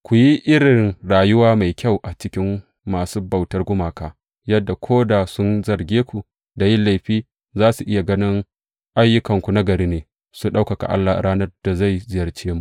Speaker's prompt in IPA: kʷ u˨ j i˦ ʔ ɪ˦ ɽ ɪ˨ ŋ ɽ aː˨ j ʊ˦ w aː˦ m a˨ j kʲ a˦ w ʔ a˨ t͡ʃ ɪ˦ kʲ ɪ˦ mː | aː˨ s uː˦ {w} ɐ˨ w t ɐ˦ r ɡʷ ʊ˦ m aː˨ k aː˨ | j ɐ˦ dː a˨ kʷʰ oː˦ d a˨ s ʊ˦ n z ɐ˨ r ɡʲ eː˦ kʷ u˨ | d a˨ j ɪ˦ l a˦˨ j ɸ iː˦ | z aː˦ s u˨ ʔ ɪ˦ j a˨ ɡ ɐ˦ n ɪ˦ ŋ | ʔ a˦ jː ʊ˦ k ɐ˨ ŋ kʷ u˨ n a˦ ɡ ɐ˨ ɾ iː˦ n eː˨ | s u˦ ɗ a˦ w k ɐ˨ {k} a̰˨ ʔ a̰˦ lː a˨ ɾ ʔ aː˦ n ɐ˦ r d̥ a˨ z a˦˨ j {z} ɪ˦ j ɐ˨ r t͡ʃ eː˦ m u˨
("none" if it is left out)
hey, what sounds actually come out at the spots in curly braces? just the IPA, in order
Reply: b, k, z

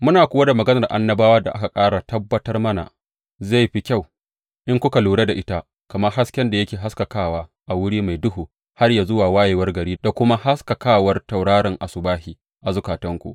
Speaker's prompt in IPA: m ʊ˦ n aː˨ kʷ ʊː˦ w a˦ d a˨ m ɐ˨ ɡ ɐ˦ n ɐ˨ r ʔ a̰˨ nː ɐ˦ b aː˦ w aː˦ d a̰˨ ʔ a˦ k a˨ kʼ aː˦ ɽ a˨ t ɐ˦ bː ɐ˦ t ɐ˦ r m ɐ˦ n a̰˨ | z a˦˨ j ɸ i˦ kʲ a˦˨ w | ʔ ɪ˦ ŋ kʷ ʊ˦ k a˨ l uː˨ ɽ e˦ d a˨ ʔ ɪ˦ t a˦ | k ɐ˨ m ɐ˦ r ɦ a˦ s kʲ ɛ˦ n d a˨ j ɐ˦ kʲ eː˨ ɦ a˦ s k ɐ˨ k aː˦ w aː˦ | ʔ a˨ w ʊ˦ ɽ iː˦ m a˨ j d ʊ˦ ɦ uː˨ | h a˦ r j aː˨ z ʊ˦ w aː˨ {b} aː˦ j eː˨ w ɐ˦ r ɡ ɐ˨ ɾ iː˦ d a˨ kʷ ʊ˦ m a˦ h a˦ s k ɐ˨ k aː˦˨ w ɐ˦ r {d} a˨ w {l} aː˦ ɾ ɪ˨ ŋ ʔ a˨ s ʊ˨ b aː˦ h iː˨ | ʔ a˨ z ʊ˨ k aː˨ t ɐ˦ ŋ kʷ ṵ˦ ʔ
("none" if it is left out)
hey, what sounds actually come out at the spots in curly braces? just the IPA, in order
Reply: w, t, ɽ

